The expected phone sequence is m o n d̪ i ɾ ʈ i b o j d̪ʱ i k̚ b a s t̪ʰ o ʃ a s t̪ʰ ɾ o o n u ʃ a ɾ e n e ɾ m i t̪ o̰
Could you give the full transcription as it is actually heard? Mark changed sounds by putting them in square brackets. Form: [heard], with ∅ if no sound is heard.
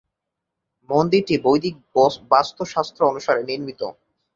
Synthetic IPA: m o n d̪ i ɾ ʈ i b o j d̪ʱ i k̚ b a s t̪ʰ o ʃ a s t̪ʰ ɾ o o n u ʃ a ɾ e n [i] ɾ m i t̪ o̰